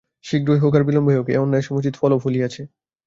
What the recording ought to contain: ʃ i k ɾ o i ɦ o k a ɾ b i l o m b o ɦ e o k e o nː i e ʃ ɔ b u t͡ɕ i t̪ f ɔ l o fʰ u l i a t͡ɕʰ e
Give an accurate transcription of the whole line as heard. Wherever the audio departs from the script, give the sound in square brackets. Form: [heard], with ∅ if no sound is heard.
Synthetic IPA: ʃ i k ɾ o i ɦ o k a ɾ b i l o m b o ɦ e o k e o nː [a] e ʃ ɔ [m] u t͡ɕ i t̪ f ɔ l o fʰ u l i a t͡ɕʰ e